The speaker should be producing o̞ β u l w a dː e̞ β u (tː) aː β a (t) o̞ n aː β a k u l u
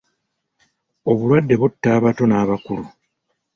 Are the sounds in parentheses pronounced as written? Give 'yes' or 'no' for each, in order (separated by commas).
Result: yes, yes